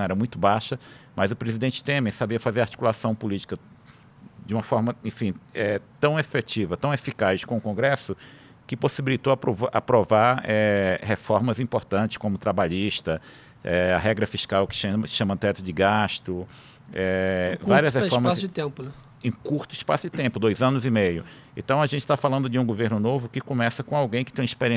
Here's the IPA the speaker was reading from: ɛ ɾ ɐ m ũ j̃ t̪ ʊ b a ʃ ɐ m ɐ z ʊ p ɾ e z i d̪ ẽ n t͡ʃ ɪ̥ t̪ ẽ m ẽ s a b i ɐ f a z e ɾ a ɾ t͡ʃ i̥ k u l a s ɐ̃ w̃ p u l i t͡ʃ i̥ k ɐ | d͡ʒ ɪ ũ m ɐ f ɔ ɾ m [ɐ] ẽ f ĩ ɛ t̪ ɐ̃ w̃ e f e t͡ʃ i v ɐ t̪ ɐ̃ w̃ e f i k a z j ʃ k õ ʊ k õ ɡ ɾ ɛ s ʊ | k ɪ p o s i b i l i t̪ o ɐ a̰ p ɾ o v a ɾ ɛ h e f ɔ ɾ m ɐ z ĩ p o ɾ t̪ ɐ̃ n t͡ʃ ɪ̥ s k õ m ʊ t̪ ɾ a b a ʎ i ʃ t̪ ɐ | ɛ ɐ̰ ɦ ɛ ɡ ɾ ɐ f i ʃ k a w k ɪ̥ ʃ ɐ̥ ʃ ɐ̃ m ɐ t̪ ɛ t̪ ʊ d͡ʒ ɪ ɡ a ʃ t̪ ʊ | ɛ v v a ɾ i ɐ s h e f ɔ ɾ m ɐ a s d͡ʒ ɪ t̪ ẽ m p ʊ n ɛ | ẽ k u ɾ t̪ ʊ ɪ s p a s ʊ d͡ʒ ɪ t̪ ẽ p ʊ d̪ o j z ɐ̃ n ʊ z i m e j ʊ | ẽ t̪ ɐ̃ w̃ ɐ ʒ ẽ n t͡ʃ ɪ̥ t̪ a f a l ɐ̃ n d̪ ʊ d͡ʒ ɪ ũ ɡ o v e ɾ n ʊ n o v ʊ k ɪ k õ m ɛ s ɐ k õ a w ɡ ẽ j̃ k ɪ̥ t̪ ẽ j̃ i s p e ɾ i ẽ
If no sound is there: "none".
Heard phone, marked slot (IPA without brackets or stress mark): ɐ